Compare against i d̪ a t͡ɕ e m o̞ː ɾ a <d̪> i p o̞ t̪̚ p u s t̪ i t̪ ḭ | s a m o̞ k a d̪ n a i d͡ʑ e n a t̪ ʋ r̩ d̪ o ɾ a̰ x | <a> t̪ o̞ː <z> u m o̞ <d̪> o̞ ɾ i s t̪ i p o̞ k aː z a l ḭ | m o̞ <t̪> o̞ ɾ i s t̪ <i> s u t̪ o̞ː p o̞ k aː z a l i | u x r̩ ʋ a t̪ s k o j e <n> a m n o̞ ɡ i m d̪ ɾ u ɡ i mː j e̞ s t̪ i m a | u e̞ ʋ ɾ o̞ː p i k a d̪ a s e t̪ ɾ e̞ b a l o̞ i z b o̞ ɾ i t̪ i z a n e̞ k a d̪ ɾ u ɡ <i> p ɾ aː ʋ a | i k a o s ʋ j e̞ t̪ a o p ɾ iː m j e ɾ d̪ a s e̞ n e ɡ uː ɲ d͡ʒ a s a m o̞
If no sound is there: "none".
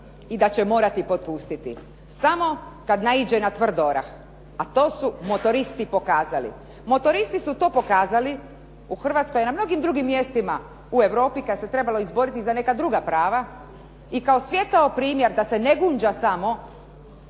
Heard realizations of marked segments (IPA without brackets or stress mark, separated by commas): t̪, a, s, t̪, t̪, i, n, a